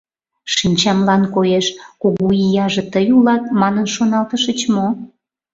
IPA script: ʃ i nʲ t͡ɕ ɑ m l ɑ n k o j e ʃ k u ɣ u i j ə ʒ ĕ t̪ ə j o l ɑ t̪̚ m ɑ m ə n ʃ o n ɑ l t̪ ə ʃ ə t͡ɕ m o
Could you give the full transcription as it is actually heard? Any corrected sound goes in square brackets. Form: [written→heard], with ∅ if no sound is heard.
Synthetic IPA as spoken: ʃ i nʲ t͡ɕ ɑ m l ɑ n k o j e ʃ k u ɣ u i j [ə→ɑ] ʒ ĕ t̪ ə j [o→u] l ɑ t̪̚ m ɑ [m→n] ə n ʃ o n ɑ l t̪ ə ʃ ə t͡ɕ m o